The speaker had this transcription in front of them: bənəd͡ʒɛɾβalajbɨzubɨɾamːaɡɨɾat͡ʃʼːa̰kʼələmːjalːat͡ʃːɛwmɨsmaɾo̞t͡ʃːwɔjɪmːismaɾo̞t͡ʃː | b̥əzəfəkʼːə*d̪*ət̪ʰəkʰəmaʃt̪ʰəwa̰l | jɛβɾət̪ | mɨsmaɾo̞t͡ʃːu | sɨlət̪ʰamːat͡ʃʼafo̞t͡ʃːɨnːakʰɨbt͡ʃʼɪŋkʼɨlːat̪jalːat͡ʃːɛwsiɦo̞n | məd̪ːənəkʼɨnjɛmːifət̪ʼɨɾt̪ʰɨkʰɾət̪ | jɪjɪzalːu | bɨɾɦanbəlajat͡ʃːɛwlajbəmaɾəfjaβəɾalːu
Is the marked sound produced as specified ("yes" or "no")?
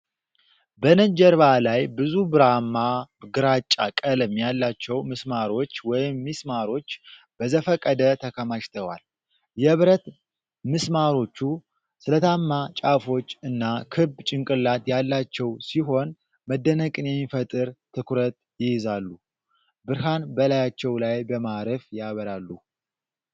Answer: yes